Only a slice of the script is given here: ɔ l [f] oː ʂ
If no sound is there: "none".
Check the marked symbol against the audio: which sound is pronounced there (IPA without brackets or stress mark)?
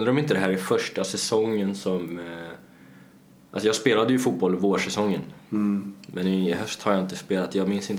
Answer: v